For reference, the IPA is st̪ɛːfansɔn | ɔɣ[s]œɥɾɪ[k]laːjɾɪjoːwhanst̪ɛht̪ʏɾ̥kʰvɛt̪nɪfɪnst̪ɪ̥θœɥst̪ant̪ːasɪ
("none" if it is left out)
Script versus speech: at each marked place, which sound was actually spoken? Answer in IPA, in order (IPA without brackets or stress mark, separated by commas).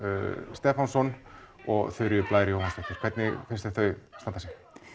θ, p